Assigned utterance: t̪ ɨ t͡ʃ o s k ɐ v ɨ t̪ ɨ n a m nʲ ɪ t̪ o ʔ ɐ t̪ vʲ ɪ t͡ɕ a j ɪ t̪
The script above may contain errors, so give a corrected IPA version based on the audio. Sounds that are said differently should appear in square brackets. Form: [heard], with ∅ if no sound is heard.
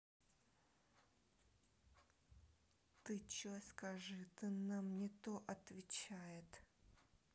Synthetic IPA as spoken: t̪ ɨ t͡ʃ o s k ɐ [ʐ] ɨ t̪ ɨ n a m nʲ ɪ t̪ o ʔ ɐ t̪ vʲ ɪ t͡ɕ a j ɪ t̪